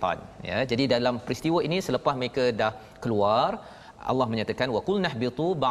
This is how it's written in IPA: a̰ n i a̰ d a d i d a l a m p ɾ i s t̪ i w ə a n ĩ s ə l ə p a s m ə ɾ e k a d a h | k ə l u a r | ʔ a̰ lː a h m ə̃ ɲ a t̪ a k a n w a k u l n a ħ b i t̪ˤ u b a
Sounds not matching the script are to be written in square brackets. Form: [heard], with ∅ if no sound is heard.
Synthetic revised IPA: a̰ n [j] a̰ [d͡ʒ] a d i d a l a m p ɾ i s t̪ i w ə [i] n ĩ s ə l ə p a s m ə ɾ e k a d a h | k ə l u a r | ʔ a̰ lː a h m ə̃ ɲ a t̪ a k a n w a k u l n a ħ b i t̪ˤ u b a